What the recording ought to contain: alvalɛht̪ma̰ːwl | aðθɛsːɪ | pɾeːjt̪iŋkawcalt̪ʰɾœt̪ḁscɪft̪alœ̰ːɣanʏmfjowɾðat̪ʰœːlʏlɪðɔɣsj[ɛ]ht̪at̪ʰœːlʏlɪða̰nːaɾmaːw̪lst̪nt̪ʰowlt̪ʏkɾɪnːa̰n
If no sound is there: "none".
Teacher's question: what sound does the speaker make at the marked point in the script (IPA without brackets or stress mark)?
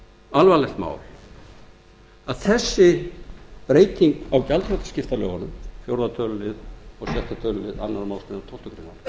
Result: ɛ